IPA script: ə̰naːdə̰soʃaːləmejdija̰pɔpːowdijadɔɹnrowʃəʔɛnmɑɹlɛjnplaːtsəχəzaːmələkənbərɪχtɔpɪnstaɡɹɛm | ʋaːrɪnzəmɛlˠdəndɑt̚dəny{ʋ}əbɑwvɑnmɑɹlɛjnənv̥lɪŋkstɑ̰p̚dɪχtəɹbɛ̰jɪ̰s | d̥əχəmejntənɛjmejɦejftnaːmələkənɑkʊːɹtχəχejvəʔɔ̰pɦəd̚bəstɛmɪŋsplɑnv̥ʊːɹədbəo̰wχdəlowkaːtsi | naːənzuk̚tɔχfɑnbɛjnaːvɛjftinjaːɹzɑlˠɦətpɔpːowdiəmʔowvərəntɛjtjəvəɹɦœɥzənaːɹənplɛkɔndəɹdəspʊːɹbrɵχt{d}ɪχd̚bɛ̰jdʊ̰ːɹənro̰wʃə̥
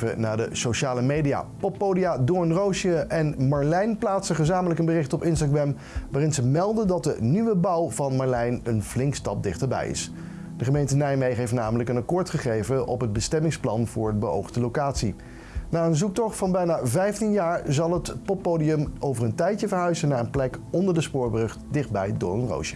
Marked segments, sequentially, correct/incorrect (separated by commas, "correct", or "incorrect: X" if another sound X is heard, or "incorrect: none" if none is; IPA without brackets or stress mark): correct, correct